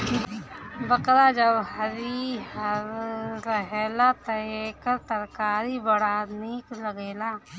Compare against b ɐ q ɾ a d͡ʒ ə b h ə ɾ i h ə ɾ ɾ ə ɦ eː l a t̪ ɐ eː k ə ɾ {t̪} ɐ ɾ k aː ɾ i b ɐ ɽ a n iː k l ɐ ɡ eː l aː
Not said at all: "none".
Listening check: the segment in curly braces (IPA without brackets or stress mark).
t̪